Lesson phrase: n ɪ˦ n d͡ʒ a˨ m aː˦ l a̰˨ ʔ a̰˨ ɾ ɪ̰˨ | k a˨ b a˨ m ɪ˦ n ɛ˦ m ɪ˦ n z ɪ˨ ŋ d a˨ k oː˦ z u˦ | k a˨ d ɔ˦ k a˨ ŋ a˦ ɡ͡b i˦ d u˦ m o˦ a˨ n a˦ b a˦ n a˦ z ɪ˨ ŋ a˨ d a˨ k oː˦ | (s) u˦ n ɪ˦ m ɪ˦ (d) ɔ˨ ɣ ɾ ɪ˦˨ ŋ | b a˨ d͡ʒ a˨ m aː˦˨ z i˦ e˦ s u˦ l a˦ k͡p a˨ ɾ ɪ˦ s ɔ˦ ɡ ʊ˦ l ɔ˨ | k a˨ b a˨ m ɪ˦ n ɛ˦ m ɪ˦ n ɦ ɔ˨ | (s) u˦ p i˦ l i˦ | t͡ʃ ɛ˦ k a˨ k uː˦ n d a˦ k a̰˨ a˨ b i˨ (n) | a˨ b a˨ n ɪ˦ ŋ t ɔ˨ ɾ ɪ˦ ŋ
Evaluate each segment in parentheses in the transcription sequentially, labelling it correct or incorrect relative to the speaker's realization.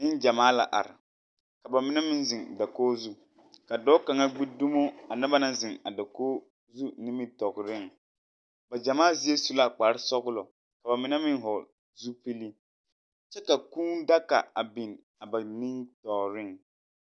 incorrect: z, incorrect: t, incorrect: z, correct

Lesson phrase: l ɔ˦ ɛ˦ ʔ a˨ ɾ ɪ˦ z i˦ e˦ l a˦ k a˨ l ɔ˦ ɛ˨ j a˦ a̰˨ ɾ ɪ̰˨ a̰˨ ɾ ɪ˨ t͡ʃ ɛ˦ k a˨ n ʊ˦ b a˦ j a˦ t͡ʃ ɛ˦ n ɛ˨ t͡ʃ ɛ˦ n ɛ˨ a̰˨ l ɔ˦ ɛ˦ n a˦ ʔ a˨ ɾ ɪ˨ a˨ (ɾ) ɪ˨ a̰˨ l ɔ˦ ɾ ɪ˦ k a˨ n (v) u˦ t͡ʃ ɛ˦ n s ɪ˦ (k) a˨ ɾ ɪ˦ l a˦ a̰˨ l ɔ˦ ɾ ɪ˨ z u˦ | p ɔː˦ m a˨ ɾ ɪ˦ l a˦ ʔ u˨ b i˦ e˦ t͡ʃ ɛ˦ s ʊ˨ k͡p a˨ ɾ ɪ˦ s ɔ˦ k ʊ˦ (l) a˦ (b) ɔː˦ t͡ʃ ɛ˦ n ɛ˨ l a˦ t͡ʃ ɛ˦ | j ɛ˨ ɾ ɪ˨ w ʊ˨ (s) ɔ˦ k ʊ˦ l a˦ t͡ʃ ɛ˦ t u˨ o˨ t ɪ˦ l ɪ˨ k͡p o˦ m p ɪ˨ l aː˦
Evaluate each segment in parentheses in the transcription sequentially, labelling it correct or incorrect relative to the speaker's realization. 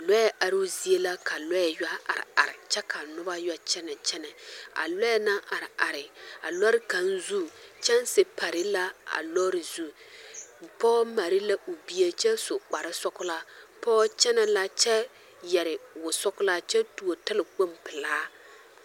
correct, incorrect: z, incorrect: p, correct, incorrect: p, correct

